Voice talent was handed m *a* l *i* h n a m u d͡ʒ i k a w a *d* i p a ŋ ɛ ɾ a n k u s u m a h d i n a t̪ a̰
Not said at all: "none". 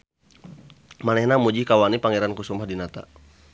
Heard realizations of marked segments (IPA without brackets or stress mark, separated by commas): a, ɛ, n